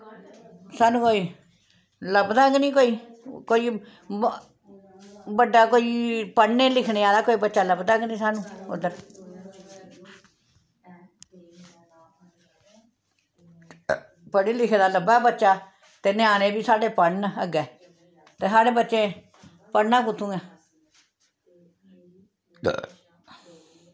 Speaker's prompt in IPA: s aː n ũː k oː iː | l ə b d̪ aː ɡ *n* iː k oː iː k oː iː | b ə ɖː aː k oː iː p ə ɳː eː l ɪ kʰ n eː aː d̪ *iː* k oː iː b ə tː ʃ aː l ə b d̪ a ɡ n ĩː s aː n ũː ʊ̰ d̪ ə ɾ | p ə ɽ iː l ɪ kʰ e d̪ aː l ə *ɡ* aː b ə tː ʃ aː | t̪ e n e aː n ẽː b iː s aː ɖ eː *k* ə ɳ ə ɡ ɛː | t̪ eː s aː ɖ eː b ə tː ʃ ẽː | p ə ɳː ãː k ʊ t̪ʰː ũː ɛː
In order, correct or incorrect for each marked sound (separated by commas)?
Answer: correct, incorrect, incorrect, incorrect